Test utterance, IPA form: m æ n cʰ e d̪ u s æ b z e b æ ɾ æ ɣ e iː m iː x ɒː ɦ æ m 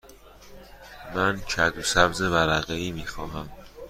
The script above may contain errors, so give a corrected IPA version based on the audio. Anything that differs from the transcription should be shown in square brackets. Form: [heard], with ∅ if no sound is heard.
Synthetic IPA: m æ n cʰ [æ] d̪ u s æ b z e [v] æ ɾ æ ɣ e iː m iː x ɒː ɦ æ m